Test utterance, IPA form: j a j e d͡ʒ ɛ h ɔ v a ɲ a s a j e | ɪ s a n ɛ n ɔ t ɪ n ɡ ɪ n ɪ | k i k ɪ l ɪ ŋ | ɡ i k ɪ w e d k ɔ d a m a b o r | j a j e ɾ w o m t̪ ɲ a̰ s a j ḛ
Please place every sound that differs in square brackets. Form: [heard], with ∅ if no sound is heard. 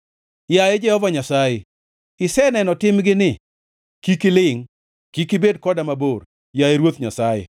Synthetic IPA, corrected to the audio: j a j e d͡ʒ ɛ h ɔ v a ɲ a s a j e | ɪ s [ɛ] n ɛ n ɔ t ɪ [m] ɡ ɪ n ɪ | k i k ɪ l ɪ ŋ | [k] i k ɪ [b] e d k ɔ d a m a b o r | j a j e ɾ w o [∅] t̪ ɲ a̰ s a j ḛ